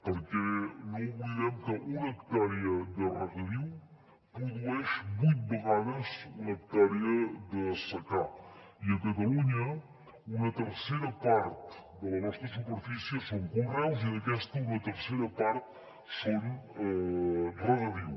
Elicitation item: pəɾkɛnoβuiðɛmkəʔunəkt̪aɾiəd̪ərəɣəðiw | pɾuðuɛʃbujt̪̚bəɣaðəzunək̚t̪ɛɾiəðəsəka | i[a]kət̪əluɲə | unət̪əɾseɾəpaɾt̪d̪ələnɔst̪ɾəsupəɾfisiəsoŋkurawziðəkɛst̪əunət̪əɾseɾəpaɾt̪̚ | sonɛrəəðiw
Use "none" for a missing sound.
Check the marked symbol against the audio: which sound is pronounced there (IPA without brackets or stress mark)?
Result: ə